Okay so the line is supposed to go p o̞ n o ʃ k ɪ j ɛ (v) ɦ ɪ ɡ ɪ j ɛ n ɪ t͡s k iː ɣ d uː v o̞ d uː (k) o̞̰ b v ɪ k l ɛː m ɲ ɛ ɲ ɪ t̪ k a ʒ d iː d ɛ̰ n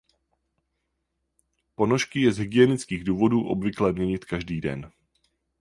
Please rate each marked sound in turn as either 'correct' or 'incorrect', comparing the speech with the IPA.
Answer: incorrect, incorrect

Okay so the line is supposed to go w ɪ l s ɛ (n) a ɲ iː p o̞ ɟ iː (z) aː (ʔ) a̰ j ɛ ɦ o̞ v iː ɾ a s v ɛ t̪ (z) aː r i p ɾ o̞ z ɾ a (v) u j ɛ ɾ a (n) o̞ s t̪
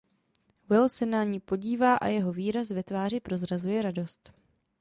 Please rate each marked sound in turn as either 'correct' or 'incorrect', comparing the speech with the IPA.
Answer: correct, incorrect, correct, incorrect, incorrect, incorrect

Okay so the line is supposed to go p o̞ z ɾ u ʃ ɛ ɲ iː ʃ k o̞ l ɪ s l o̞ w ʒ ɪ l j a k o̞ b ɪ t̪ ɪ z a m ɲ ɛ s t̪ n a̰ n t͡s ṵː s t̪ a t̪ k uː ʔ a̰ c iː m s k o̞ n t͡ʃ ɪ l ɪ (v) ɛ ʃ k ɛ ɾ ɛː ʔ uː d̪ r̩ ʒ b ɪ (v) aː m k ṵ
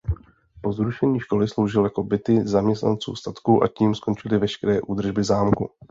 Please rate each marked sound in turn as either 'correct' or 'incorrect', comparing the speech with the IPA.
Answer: correct, incorrect

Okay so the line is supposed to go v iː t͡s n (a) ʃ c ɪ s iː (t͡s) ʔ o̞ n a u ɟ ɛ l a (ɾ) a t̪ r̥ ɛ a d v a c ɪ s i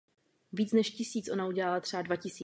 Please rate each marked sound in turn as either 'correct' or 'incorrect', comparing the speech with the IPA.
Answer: incorrect, correct, incorrect

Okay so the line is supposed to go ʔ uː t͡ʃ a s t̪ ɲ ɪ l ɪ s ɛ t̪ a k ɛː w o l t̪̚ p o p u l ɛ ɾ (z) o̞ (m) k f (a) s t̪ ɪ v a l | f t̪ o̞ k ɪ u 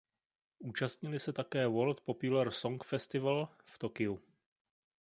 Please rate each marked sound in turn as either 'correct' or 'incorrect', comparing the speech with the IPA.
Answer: incorrect, incorrect, incorrect

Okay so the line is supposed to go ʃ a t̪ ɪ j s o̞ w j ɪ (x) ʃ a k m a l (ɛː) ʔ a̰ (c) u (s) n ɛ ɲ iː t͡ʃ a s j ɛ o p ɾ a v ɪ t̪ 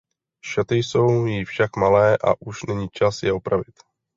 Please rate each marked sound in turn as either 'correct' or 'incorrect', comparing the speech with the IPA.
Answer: incorrect, correct, incorrect, incorrect

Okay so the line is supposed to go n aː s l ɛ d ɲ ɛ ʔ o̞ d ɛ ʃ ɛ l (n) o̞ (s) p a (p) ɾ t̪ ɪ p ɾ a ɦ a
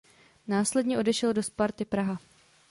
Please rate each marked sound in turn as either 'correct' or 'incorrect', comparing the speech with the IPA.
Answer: incorrect, correct, incorrect

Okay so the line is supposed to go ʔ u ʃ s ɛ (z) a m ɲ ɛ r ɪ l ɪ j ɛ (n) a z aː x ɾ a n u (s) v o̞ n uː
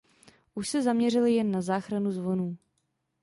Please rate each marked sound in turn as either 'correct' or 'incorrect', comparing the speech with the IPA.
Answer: correct, incorrect, incorrect

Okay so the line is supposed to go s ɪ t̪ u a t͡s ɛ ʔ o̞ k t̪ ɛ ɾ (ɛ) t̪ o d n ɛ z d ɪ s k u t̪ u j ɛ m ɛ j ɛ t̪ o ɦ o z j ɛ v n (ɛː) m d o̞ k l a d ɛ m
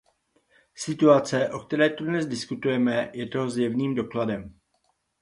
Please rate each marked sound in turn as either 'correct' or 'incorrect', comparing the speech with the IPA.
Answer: incorrect, incorrect

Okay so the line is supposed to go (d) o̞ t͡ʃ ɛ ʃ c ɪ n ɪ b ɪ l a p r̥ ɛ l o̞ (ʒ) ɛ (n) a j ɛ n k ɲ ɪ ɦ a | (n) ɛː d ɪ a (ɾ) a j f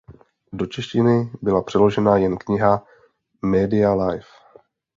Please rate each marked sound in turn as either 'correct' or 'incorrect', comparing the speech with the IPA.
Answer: correct, correct, correct, incorrect, incorrect

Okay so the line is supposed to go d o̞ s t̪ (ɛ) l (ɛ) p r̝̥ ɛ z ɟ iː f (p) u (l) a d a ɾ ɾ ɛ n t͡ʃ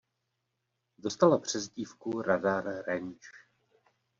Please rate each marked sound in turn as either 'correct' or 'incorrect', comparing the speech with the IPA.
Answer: incorrect, incorrect, incorrect, incorrect

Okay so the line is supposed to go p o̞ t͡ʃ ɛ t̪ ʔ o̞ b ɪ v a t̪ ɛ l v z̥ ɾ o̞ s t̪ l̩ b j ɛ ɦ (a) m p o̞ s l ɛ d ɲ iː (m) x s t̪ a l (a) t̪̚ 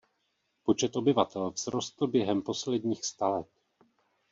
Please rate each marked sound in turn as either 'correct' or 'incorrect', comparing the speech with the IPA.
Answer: incorrect, incorrect, incorrect

